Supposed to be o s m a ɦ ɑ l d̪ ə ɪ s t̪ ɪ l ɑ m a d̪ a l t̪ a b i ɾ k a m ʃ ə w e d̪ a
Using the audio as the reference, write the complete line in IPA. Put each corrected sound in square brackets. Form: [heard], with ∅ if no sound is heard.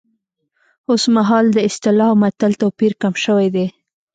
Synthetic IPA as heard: o s m a ɦ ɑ l d̪ ə ɪ s t̪ ɪ l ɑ m a [t̪] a l t̪ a [p] i ɾ k a m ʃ ə w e d̪ [e]

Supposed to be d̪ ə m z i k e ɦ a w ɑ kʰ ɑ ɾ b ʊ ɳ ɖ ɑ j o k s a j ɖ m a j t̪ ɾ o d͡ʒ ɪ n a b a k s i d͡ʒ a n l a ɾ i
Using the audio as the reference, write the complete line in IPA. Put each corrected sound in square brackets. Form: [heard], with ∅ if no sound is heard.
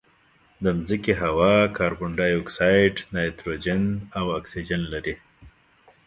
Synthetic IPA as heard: d̪ ə m z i k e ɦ a w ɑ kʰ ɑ ɾ b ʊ ɳ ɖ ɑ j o k s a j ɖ [n] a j t̪ ɾ o d͡ʒ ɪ n a [w] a k s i d͡ʒ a n l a ɾ i

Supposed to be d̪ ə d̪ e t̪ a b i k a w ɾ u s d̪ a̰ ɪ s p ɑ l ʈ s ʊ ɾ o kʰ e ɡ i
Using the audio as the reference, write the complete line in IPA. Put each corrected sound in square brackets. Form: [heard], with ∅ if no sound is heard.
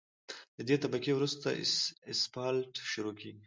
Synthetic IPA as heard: d̪ ə d̪ e t̪ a b [a] k [e] w ɾ u s [t̪] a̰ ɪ s p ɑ l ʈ [ʃ] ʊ ɾ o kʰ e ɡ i

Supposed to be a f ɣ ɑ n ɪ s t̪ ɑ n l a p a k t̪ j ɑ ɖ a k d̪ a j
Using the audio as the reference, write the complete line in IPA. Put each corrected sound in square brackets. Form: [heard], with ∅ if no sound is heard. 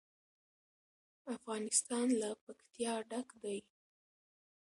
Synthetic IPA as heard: a f ɣ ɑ n ɪ s t̪ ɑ n l a p a k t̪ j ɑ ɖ a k d̪ a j

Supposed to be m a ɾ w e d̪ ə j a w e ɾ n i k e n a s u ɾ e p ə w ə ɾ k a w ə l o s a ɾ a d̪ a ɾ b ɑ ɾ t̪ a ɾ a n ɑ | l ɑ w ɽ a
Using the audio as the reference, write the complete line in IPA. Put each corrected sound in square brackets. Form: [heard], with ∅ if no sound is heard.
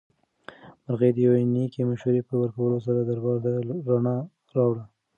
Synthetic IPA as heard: m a ɾ [ɣ] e d̪ ə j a w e [∅] n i k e [m] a [ʃ] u ɾ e p ə w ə ɾ k a w ə l o s a ɾ a d̪ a ɾ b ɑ ɾ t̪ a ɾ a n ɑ | [ɾ] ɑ w ɽ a

